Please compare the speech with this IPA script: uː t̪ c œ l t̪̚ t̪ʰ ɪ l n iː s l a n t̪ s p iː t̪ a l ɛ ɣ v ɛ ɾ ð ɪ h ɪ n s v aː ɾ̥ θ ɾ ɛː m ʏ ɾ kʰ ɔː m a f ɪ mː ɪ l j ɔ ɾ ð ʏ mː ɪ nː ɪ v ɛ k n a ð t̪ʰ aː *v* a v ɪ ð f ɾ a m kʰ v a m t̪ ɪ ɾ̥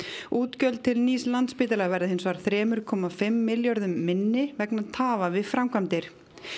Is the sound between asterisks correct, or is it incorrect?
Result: correct